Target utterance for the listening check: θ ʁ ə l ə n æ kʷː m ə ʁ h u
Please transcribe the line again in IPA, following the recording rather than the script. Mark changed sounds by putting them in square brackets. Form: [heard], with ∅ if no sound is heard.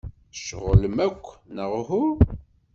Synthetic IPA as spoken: [ʃ] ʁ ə l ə [m] æ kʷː [n] ə ʁ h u